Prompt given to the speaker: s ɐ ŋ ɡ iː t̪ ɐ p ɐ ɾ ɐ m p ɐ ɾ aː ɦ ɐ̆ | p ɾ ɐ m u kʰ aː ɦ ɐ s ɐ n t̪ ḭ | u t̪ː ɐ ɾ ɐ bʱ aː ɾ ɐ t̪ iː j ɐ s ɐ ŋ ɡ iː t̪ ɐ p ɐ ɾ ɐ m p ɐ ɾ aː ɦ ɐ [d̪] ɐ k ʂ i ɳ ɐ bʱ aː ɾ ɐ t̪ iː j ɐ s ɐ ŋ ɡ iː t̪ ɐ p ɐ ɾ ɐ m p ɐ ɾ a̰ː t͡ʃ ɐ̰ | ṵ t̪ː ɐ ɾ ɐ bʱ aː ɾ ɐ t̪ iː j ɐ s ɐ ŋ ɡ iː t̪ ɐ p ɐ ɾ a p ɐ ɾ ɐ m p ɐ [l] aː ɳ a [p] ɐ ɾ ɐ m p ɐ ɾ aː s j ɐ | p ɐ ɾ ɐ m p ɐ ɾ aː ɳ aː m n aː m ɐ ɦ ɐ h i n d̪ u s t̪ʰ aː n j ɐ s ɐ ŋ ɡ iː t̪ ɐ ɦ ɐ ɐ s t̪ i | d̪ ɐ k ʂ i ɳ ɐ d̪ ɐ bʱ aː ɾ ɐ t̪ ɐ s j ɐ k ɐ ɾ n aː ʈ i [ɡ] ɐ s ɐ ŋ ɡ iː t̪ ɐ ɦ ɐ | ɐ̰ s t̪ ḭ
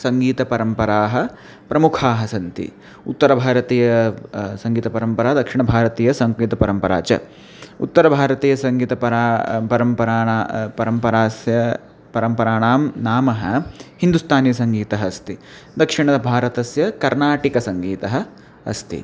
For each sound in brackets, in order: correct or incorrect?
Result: correct, incorrect: ɾ, correct, incorrect: k

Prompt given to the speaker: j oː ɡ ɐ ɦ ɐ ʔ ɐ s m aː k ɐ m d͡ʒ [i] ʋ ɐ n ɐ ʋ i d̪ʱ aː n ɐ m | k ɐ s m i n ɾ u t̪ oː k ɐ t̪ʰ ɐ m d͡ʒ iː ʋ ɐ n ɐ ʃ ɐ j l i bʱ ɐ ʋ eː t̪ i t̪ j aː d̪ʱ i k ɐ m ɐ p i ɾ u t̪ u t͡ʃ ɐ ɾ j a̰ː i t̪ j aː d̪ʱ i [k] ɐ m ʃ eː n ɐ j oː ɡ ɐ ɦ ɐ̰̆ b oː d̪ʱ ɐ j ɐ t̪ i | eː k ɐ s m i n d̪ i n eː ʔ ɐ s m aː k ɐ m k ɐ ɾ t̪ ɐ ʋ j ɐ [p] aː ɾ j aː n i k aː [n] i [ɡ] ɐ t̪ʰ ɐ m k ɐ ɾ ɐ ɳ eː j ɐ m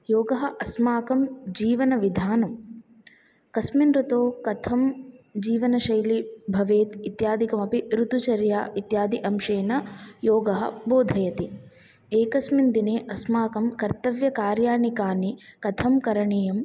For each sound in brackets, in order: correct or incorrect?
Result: incorrect: iː, incorrect: ʔ, incorrect: k, correct, incorrect: k

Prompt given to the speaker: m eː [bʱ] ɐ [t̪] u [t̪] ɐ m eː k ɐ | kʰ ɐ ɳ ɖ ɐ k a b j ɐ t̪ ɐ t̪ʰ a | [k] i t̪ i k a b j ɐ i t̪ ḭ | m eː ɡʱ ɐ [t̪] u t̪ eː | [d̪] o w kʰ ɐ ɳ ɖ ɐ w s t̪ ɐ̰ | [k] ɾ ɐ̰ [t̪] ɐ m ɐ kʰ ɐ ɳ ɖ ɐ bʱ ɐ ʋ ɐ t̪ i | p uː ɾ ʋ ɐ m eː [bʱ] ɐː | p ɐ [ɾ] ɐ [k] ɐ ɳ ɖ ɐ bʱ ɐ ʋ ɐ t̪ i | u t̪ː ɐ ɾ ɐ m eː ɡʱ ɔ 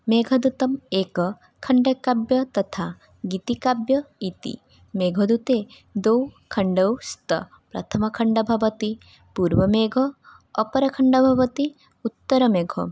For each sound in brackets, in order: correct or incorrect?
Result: incorrect: ɡʱ, incorrect: d̪, correct, incorrect: ɡ, incorrect: d̪, correct, incorrect: p, incorrect: t̪ʰ, incorrect: ɡʱ, correct, incorrect: kʰ

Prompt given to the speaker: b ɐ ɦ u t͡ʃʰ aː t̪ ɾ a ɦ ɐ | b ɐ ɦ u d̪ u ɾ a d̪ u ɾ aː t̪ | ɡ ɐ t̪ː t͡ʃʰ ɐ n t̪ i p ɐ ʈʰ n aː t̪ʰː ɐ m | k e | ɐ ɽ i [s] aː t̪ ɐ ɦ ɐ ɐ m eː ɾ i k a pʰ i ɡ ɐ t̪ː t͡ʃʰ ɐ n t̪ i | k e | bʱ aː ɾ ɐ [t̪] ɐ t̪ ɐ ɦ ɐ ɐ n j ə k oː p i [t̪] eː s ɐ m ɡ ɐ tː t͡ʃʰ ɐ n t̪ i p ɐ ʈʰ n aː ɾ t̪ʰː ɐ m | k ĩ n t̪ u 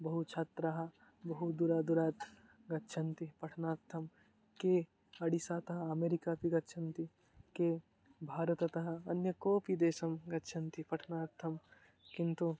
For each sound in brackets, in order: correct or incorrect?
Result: correct, correct, incorrect: d̪

